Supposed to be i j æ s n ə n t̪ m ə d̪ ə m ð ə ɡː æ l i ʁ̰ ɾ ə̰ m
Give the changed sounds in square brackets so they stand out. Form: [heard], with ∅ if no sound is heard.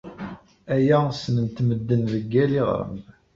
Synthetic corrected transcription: [æ] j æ s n ə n t̪ m ə [d̪ː] ə [n] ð ə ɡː æ l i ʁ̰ ɾ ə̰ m